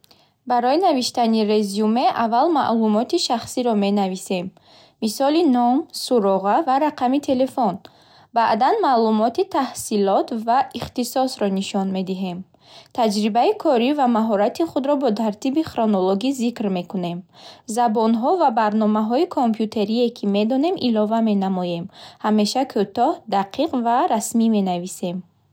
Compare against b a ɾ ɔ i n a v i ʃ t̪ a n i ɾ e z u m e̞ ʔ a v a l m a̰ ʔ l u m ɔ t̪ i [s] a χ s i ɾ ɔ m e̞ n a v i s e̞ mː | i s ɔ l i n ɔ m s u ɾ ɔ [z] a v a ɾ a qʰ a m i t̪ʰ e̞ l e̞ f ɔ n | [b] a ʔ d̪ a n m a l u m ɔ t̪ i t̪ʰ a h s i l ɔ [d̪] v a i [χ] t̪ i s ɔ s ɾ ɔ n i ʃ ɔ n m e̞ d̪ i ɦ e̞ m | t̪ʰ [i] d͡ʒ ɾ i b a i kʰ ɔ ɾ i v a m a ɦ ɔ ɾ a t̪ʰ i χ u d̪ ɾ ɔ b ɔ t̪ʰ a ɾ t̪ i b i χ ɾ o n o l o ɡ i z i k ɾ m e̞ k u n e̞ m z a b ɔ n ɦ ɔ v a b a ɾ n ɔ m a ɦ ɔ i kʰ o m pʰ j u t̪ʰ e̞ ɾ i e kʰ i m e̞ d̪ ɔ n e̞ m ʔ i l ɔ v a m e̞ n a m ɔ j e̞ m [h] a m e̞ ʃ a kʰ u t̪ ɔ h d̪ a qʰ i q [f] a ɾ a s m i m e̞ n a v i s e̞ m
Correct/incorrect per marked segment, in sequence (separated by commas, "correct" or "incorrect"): incorrect, incorrect, correct, incorrect, correct, incorrect, correct, incorrect